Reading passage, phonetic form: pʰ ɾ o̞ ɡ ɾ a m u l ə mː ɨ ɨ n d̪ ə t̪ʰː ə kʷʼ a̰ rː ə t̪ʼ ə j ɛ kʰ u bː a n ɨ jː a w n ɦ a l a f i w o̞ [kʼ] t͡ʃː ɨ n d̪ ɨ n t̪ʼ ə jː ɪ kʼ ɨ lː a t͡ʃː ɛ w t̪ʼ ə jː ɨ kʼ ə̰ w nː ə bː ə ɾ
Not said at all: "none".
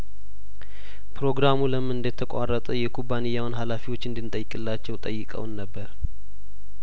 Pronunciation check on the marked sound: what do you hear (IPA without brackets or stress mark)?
none